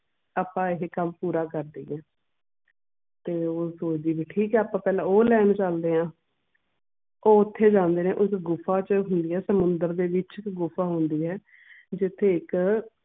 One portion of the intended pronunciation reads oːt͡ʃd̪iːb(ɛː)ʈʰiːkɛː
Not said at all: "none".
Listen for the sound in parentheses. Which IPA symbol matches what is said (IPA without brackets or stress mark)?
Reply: iː